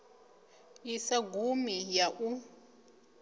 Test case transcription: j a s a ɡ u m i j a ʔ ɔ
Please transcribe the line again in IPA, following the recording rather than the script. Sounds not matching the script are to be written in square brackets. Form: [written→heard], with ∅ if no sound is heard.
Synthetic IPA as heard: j [a→i] s a ɡ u m i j a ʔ [ɔ→u]

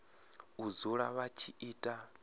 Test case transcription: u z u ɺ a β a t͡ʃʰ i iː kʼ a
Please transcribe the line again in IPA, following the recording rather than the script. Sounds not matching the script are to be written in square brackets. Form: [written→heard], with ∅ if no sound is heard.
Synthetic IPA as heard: u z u ɺ a β a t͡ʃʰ i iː [kʼ→tʼ] a

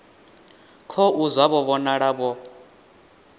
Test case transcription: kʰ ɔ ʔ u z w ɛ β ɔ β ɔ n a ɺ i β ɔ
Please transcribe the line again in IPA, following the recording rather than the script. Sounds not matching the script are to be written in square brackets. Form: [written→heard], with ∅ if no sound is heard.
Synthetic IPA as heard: kʰ ɔ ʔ u z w [ɛ→a] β ɔ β ɔ n a ɺ [i→a] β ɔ

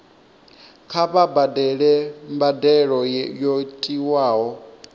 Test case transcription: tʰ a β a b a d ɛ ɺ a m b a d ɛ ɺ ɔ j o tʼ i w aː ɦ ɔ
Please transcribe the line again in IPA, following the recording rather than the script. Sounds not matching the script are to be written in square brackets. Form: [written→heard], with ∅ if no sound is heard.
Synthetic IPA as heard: [tʰ→kʰ] a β a b a d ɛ ɺ [a→ɛ] m b a d ɛ ɺ ɔ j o tʼ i w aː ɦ ɔ

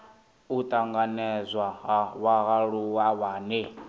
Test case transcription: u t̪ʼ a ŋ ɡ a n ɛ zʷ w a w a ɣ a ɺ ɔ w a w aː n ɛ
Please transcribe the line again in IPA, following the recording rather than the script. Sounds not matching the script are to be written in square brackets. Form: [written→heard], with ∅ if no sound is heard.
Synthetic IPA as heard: u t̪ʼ a ŋ ɡ a n ɛ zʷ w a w a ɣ a ɺ [ɔ→u] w a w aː n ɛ

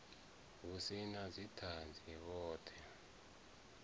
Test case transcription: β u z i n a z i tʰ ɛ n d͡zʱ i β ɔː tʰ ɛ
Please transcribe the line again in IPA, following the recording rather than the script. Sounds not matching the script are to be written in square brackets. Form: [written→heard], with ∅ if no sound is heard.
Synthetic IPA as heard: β u [z→s] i n a z i tʰ [ɛ→a] n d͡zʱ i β ɔː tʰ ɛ

